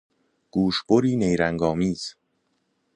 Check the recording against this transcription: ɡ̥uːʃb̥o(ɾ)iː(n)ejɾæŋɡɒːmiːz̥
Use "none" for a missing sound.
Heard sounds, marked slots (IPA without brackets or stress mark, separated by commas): ɾ, n